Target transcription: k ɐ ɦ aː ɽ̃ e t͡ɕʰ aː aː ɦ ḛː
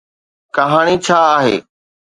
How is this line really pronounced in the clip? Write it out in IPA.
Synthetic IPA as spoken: k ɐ ɦ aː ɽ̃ i t͡ɕʰ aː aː ɦ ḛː